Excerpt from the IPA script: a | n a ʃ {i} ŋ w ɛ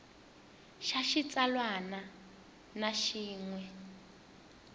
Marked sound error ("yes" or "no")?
yes